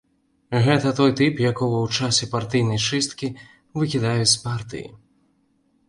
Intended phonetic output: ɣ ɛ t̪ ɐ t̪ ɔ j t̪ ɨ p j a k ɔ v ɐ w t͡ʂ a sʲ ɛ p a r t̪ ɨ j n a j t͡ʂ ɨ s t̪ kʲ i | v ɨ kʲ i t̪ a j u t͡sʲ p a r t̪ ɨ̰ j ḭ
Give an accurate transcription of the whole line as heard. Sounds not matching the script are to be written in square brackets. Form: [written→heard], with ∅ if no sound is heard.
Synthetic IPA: ɣ ɛ t̪ ɐ t̪ ɔ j t̪ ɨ p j a k ɔ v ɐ w t͡ʂ a sʲ ɛ p a r t̪ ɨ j n [a→ɐ] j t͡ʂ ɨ s t̪ kʲ i | v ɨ kʲ i [t̪→d̪] a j u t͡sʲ p a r t̪ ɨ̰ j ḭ